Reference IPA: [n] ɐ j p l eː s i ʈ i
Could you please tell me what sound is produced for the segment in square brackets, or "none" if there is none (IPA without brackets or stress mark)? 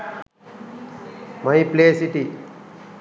m